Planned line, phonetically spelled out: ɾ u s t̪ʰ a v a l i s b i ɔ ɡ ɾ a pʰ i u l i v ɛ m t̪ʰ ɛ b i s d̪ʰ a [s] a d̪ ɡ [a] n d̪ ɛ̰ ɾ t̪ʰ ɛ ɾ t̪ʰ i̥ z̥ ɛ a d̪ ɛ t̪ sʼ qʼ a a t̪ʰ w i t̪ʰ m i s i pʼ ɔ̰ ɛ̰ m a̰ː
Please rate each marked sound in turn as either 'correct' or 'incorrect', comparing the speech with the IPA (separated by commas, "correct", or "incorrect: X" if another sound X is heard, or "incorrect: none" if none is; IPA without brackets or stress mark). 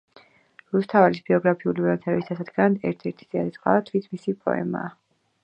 correct, correct